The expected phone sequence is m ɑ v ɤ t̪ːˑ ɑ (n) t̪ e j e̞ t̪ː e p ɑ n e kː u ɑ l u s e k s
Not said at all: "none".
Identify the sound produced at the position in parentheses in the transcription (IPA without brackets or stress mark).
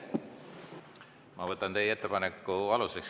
n